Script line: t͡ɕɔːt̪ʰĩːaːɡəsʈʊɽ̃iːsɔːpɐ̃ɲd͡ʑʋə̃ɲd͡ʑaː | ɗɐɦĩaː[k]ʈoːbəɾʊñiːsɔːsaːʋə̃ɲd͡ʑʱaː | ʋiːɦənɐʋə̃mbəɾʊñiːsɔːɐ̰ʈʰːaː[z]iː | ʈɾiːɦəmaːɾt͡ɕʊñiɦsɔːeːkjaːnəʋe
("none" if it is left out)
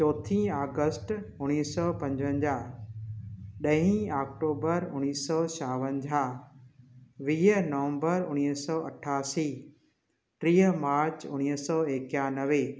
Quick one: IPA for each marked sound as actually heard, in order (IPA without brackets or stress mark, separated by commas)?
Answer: k, s